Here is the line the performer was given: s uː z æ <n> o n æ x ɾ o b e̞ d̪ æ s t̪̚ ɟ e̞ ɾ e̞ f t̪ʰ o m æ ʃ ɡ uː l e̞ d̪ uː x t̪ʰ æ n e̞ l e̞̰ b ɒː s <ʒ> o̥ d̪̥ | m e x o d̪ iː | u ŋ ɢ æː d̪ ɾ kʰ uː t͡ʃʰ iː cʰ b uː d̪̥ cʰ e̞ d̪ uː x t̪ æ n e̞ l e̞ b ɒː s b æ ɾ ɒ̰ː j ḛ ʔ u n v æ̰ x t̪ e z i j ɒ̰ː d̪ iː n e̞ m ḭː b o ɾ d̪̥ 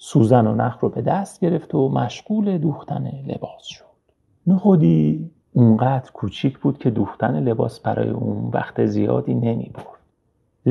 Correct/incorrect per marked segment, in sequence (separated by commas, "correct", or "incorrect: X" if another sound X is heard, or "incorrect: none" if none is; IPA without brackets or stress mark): correct, incorrect: ʃ